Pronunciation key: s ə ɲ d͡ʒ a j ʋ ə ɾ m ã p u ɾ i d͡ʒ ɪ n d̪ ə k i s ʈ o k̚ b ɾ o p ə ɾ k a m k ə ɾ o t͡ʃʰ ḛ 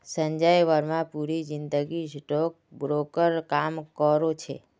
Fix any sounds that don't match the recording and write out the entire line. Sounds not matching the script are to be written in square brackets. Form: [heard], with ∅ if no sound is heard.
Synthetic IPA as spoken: s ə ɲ d͡ʒ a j ʋ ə ɾ m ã p u ɾ i d͡ʒ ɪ n d̪ ə [ɡ] i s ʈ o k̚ b ɾ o [k] ə ɾ k a m k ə ɾ o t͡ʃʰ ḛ